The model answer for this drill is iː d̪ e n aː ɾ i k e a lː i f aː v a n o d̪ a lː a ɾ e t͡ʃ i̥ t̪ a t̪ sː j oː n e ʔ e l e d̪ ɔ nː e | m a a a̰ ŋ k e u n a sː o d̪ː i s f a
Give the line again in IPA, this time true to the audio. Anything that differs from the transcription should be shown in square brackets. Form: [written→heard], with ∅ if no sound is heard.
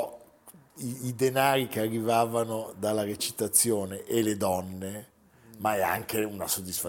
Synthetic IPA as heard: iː d̪ e n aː ɾ i k e a [lː→rː] i [f→v] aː v a n o d̪ a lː a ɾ e t͡ʃ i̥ t̪ a t̪ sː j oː n e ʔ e l e d̪ ɔ nː e | m a [a→ɛ] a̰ ŋ k e u n a [sː→s] o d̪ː i s f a